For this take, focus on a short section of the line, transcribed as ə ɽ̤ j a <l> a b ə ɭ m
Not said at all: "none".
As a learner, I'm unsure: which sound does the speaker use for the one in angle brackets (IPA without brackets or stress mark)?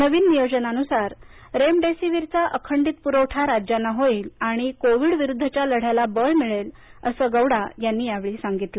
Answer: l